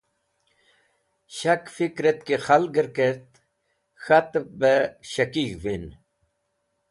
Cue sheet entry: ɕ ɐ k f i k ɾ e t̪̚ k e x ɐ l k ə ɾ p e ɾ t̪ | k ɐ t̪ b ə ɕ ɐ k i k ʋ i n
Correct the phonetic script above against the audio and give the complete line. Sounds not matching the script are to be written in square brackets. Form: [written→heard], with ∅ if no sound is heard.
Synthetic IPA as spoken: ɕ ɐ k f i k ɾ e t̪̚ k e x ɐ l [k→ɡ] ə ɾ [p→k] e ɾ t̪ | [k→x] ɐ t̪ b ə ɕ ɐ k i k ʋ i n